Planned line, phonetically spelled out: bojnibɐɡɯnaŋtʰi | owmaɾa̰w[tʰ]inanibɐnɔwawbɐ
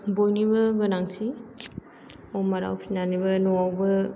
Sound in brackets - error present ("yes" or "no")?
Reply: yes